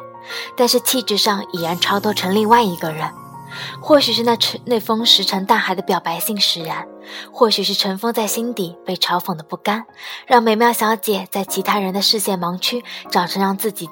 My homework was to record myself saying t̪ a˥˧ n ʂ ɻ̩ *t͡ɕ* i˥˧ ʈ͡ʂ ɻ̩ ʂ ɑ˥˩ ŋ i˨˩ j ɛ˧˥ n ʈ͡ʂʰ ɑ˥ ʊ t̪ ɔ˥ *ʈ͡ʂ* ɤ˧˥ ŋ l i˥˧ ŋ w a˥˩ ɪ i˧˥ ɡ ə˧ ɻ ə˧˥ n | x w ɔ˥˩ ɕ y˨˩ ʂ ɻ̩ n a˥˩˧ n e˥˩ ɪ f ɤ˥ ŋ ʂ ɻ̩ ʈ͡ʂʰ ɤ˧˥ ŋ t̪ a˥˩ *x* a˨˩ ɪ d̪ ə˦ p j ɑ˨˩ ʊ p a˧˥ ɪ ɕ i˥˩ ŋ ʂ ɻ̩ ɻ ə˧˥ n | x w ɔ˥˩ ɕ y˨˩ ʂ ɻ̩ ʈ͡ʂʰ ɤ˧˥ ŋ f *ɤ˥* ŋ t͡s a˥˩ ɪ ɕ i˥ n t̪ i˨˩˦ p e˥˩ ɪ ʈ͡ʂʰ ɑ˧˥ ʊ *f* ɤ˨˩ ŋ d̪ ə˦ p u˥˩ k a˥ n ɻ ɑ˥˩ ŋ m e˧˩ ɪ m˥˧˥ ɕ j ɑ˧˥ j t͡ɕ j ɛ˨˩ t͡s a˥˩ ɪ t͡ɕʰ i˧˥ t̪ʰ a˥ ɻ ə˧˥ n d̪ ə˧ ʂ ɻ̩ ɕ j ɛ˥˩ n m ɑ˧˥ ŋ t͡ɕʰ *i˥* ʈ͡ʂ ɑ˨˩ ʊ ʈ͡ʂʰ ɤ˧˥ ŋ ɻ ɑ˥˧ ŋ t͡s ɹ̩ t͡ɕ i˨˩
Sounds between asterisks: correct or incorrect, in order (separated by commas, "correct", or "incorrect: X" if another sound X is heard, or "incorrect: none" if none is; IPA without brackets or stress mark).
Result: incorrect: t͡ɕʰ, incorrect: ʈ͡ʂʰ, correct, correct, correct, incorrect: y˥